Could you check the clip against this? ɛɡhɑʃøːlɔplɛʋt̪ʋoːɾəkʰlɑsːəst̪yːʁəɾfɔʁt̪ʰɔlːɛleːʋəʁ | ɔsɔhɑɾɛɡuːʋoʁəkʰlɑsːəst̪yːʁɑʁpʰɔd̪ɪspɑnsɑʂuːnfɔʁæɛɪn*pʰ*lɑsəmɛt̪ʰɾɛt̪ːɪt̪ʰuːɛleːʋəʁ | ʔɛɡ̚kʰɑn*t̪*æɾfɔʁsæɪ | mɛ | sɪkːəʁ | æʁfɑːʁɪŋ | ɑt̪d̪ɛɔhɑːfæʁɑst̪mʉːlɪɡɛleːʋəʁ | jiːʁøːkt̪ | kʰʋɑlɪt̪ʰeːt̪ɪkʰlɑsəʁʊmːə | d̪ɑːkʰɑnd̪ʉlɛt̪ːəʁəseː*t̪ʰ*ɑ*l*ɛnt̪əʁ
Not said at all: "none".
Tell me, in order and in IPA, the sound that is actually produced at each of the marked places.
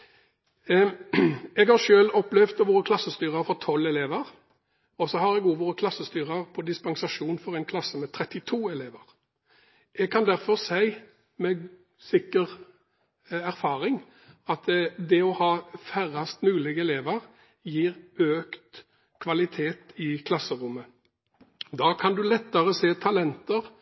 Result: kʰ, d̪, t̪ʰ, l

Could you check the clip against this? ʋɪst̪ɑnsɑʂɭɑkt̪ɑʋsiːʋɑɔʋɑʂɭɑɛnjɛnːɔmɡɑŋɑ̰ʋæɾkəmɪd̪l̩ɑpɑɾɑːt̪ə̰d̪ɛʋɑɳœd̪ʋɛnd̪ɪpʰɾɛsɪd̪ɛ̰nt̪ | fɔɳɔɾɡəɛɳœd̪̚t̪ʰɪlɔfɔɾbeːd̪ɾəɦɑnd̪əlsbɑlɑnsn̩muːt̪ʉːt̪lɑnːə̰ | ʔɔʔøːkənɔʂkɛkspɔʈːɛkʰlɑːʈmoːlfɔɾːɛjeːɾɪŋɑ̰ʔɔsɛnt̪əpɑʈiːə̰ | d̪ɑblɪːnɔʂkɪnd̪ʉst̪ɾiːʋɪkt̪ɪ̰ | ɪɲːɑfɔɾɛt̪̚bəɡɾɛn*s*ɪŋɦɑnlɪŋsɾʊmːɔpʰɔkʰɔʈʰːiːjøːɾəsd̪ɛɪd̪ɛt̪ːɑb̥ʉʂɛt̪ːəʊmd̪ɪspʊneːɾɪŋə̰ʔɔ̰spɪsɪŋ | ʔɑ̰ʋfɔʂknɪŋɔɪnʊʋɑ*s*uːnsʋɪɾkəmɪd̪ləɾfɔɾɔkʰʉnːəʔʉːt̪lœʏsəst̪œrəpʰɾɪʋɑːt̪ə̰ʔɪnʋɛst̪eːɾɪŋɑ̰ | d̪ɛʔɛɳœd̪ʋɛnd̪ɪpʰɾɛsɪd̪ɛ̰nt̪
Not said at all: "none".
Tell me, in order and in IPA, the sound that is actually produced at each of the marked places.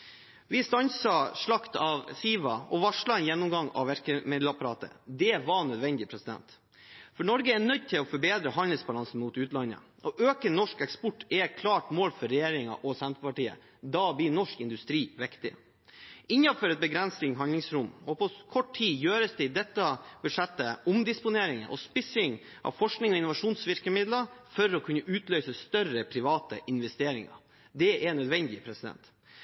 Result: s, ʂ

